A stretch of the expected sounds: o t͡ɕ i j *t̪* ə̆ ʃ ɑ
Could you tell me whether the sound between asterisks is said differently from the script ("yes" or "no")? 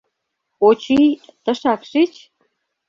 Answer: no